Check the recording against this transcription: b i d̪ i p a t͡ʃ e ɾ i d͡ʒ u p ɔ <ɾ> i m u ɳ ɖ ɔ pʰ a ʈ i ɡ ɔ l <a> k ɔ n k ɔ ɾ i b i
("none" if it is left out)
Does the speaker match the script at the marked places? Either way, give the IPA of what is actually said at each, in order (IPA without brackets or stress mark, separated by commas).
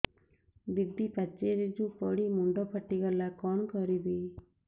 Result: ɽ, a